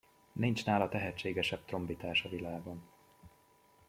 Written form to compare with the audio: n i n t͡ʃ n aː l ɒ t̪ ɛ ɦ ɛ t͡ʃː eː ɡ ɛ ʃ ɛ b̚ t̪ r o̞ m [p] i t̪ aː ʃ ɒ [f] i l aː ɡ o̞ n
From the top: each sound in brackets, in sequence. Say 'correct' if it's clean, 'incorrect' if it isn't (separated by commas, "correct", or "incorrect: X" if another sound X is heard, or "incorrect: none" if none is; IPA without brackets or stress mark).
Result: incorrect: b, incorrect: v